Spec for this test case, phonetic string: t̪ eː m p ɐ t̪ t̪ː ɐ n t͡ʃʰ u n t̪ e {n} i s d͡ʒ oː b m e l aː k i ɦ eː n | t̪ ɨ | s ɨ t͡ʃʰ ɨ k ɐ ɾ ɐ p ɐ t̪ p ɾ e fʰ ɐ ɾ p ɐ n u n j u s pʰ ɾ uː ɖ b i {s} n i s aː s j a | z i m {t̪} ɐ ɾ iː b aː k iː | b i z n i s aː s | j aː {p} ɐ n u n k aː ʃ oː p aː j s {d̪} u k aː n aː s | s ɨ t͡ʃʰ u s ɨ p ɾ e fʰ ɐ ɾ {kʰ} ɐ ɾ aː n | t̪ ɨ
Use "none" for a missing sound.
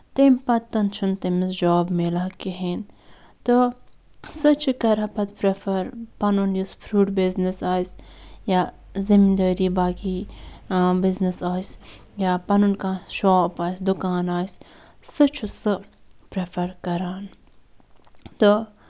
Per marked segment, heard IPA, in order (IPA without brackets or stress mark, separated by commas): m, z, d̪, p, d̪, k